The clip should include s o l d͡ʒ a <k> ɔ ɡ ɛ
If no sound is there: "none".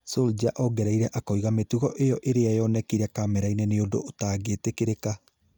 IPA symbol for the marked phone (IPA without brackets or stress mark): ʔ